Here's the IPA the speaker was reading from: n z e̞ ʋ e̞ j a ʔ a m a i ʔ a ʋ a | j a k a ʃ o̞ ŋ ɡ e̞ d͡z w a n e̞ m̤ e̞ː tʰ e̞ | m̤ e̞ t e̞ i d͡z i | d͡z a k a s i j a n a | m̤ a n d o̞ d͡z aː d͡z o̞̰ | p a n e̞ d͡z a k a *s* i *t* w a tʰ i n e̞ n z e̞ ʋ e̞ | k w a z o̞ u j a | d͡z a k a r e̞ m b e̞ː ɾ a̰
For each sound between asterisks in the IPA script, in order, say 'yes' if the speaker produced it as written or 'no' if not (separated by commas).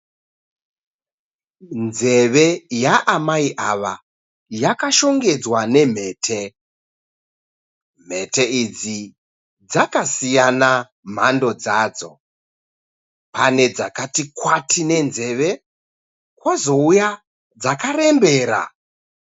no, no